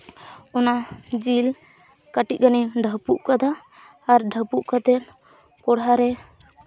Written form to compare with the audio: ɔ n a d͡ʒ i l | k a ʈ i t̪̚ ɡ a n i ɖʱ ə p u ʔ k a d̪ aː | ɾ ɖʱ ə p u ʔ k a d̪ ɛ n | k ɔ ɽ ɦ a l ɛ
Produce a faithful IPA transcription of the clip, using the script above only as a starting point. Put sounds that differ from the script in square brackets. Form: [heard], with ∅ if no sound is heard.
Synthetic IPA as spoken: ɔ n a d͡ʒ i l | k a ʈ i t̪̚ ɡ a n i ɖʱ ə p u ʔ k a d̪ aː | ɾ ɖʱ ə p u ʔ k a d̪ ɛ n | k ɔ ɽ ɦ a [ɾ] ɛ